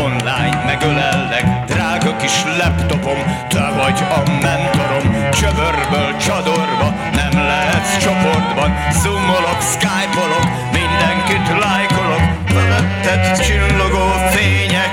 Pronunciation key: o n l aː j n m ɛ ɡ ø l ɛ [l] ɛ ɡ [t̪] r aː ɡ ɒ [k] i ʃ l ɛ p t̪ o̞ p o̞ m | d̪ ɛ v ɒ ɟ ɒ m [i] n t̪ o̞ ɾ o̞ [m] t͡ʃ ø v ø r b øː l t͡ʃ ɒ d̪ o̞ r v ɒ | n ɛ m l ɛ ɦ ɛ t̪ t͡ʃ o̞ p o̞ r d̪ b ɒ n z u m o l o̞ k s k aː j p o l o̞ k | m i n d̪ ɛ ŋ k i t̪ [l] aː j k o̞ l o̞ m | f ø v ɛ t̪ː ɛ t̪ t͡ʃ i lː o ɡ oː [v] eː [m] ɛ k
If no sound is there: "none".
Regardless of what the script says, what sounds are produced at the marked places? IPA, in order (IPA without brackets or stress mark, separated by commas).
lː, d̪, k, ɛ, m, l, f, ɲ